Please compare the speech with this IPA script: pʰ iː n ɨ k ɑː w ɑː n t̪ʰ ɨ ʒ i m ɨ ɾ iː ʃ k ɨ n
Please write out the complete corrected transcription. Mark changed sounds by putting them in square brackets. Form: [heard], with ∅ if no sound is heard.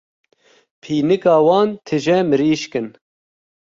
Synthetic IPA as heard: pʰ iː n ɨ k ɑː w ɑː n t̪ʰ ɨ ʒ [ɛ] m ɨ ɾ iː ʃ k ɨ n

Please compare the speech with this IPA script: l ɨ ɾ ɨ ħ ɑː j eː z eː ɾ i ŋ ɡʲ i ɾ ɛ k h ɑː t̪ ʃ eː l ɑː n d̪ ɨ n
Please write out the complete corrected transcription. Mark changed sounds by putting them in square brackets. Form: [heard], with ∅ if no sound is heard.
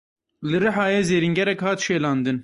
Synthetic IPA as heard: l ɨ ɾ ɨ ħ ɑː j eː z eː ɾ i ŋ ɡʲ [ɛ] ɾ ɛ k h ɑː t̪ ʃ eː l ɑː n d̪ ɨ n

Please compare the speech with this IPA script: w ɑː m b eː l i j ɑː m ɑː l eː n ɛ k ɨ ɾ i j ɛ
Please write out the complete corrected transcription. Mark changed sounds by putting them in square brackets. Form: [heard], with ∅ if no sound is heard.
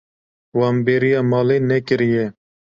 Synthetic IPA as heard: w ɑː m b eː [ɾ] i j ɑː m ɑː l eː n ɛ k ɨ ɾ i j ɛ

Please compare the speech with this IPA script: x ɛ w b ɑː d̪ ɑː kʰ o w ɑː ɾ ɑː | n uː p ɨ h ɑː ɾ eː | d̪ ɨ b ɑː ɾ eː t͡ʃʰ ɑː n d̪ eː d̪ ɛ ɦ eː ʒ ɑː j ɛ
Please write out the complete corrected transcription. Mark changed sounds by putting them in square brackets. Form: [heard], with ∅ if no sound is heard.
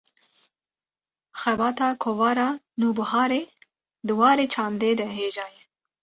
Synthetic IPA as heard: x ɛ [∅] b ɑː [t̪] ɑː kʰ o [v] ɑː ɾ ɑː | n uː [b] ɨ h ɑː ɾ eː | d̪ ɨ [w] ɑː ɾ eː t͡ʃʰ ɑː n d̪ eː d̪ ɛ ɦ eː ʒ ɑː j ɛ

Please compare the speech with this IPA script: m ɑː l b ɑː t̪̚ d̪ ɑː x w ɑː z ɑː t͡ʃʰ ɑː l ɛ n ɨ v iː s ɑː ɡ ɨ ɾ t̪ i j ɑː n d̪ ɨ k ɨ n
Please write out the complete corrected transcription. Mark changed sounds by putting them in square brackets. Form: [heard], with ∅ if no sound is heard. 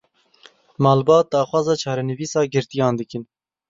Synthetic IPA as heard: m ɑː l b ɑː t̪̚ d̪ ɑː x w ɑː z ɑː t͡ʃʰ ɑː [ɾ] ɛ n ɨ v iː s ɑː ɡ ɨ ɾ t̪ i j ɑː n d̪ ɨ k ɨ n

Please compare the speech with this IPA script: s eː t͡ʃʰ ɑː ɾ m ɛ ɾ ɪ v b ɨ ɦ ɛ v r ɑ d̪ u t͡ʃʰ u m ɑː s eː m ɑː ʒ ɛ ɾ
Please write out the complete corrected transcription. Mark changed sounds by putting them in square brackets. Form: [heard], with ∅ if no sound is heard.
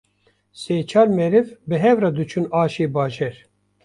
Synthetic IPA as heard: s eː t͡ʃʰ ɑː ɾ m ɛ ɾ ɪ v b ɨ ɦ ɛ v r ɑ d̪ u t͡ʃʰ u [n] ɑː [ʃ] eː [b] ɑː ʒ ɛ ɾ

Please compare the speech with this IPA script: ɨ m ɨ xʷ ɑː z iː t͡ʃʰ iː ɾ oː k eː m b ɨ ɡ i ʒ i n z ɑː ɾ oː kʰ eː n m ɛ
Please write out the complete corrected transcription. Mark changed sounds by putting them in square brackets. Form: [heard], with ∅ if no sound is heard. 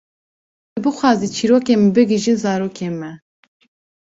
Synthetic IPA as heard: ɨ [b] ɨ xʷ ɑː z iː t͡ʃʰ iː ɾ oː k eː m b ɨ ɡ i ʒ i n z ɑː ɾ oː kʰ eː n m ɛ

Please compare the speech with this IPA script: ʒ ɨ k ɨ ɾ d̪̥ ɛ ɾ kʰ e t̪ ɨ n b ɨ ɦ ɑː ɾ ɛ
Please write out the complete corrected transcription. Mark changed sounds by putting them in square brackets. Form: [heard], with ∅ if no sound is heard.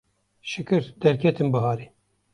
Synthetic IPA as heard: [ʃ] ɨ k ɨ ɾ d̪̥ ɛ ɾ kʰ [ɛ] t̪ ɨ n b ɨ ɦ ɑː ɾ [i]

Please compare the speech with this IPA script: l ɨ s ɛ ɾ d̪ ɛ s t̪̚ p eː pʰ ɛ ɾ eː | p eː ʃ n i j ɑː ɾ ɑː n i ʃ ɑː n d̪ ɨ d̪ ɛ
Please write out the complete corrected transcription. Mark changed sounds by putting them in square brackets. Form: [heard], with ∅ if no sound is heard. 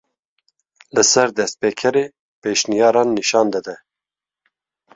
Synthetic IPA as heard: l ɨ s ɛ ɾ d̪ ɛ s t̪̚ p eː [kʰ] ɛ ɾ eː | p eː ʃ n i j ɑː ɾ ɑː [nː] i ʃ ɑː n d̪ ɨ d̪ ɛ

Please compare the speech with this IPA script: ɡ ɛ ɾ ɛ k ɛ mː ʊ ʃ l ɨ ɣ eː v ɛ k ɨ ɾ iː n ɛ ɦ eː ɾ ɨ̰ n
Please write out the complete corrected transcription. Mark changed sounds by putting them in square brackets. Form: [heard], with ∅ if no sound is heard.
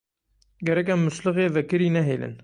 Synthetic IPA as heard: ɡ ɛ ɾ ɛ k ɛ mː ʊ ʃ l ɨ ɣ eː v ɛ k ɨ ɾ iː n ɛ ɦ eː [l] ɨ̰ n

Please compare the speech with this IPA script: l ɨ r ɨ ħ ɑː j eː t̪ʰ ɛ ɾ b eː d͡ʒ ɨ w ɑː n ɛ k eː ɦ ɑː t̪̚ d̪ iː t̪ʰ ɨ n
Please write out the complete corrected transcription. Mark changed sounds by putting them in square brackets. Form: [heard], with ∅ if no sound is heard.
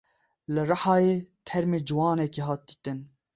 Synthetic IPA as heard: l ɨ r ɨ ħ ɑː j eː t̪ʰ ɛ ɾ [m] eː d͡ʒ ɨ w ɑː n ɛ k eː ɦ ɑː t̪̚ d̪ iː [t̪] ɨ n

